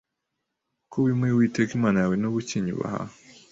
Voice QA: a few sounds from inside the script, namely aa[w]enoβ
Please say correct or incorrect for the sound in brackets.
correct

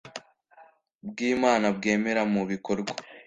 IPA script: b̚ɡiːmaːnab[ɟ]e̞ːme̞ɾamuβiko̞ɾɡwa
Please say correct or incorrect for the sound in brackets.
incorrect: ɡ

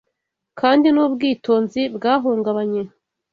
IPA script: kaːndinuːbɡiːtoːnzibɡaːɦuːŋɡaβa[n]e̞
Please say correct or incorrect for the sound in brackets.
incorrect: ɲ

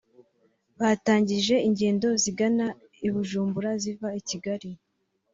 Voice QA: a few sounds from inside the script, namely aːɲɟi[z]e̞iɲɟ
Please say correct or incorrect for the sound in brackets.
incorrect: ʒ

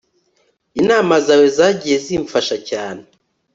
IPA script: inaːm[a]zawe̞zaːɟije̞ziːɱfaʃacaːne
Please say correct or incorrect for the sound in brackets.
correct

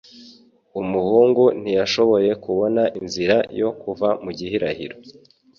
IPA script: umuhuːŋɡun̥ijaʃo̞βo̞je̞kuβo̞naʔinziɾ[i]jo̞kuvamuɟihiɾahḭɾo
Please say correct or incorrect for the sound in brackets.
incorrect: a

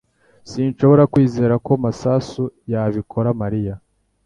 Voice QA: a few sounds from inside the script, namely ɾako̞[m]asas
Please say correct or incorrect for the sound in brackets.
correct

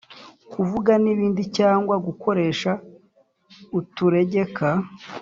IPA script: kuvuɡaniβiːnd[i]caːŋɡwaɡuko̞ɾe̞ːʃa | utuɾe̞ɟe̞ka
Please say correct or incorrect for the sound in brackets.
correct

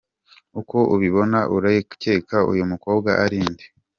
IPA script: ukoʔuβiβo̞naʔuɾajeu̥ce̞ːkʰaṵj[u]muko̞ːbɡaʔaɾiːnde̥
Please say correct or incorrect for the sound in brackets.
correct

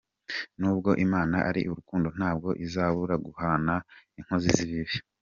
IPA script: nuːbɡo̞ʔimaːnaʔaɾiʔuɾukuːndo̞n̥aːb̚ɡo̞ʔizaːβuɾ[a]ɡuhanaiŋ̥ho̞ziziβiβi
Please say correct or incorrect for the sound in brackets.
correct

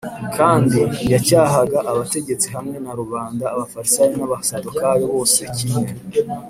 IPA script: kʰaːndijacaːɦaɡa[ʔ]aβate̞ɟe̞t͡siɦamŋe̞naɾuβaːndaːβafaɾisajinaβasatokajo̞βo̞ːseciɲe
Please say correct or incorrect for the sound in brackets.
correct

